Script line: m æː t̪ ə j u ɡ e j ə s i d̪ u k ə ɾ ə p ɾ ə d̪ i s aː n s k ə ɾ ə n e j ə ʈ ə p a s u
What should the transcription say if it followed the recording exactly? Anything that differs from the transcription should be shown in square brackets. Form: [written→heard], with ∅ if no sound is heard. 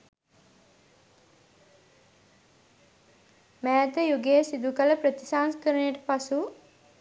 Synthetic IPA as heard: m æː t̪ ə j u ɡ e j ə s i d̪ u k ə [ɾ→l] ə p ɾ ə [d̪→t̪] i s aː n s k ə ɾ ə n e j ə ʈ ə p a s u